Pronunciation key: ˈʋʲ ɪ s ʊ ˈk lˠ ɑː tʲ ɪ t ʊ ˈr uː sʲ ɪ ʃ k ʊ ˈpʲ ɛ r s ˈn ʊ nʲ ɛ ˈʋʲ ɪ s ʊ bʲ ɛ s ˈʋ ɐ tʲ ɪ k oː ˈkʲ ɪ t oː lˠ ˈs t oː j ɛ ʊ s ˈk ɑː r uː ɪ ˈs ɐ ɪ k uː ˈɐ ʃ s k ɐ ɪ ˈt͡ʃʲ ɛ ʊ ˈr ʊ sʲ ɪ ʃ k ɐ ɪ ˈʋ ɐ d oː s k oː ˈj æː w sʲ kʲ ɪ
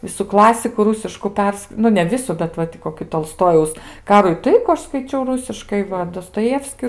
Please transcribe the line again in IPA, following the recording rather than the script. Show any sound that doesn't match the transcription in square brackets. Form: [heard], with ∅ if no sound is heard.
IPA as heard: ˈʋʲ ɪ s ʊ ˈk lˠ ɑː [sʲ] ɪ [k] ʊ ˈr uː sʲ ɪ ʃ k ʊ ˈpʲ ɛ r s ˈn ʊ nʲ ɛ ˈʋʲ ɪ s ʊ bʲ ɛ [t] ˈʋ ɐ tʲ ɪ k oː ˈkʲ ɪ t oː lˠ ˈs t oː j ɛ ʊ s ˈk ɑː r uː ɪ [ˈt] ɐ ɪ k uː ˈɐ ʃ s k ɐ ɪ ˈt͡ʃʲ ɛ ʊ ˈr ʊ sʲ ɪ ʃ k ɐ ɪ ˈʋ ɐ d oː s [t] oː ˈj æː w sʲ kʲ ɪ